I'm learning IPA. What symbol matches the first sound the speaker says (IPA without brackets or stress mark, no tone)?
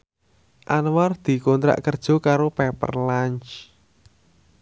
ʔ